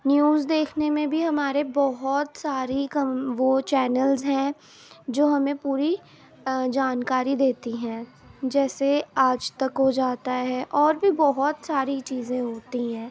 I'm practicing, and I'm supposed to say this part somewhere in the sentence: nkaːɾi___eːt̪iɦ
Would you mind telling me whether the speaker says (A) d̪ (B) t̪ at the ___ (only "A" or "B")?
A